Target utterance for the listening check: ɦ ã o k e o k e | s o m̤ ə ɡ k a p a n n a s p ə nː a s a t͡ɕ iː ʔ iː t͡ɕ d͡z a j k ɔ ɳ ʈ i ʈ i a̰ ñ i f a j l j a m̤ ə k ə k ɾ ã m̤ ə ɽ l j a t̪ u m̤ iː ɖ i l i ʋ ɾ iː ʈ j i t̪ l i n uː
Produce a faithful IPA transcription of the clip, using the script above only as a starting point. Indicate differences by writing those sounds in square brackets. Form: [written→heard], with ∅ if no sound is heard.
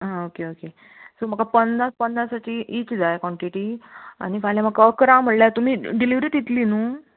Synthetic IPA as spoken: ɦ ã o k e o k e | s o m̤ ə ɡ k a p [a→ə] n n a s p ə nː a s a t͡ɕ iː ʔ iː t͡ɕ d͡z a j k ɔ ɳ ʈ i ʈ i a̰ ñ i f a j l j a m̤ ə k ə k ɾ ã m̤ ə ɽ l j a t̪ u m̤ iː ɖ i l i ʋ ɾ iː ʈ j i t̪ l i n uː